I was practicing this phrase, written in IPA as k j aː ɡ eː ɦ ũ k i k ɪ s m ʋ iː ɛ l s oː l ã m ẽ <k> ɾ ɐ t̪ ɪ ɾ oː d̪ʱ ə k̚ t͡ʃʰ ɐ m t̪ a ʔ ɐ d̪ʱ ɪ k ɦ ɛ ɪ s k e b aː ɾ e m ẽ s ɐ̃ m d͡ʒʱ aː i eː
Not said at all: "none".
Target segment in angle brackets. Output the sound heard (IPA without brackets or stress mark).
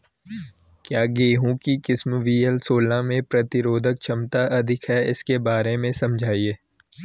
p